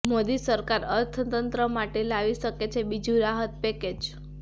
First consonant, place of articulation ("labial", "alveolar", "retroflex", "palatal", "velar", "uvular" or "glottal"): labial